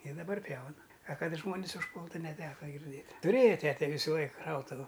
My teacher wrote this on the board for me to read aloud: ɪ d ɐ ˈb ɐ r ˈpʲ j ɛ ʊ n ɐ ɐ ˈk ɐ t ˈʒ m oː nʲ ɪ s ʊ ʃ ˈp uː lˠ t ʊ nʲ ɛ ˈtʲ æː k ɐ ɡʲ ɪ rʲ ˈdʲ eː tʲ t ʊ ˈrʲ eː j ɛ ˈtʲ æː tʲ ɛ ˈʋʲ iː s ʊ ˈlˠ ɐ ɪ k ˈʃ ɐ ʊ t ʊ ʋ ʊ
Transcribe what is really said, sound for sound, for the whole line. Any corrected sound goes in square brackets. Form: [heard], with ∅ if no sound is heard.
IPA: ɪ d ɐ ˈb ɐ r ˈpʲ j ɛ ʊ n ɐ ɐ ˈk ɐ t ˈʒ m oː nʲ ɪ s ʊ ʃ ˈp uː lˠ t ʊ nʲ ɛ ˈtʲ æː k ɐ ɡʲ ɪ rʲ ˈdʲ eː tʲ t ʊ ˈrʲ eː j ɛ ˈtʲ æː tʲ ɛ ˈʋʲ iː s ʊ ˈlˠ ɐ ɪ k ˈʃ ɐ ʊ t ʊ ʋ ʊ